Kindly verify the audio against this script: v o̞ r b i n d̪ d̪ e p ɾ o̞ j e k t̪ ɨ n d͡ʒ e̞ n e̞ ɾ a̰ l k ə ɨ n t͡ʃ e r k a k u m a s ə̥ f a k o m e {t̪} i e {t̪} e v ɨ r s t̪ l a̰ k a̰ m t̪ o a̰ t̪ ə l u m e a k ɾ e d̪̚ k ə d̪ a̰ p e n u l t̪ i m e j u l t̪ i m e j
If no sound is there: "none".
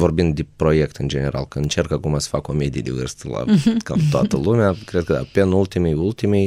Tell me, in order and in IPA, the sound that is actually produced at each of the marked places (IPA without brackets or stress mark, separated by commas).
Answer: d̪, d̪